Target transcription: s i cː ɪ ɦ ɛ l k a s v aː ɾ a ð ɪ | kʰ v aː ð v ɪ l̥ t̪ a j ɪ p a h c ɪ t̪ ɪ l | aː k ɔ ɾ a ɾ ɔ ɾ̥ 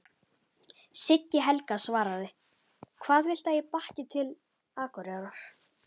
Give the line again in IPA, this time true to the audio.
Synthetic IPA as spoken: s ɪ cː ɪ ɦ ɛ l k a s v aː ɾ a ð ɪ | kʰ v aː ð v ɪ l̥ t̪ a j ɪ p a h c ɪ t̪ʰ ɪ l | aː k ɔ ɾ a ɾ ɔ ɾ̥